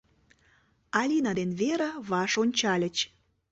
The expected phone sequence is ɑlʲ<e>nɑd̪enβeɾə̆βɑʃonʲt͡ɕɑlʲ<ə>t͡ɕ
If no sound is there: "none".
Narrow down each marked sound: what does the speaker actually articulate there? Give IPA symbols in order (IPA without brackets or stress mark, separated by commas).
i, ə